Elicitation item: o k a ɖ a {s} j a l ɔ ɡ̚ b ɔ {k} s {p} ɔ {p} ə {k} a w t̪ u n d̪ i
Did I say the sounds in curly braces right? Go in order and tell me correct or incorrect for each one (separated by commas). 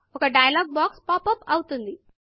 incorrect, correct, correct, correct, incorrect